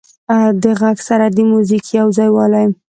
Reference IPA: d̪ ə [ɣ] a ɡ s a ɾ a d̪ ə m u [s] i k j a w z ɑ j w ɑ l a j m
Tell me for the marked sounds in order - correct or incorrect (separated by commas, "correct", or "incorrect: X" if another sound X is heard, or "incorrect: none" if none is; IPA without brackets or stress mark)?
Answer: correct, incorrect: z